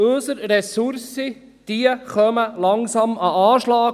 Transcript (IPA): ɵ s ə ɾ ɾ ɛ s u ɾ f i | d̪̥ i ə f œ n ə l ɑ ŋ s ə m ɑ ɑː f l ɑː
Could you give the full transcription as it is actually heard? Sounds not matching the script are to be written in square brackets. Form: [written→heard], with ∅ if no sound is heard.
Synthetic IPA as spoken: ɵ s ə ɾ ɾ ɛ s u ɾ [f→s] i | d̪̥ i ə [f→χ] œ [n→m] ə l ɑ ŋ s [ə→ɑ] m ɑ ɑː [f→ʃ] l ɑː